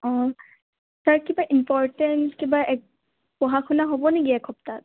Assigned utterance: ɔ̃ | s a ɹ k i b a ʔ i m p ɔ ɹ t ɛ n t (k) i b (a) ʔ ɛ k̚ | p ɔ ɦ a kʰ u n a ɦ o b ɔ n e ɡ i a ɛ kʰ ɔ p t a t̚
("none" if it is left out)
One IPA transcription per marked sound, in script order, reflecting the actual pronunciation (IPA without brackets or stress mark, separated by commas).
k, a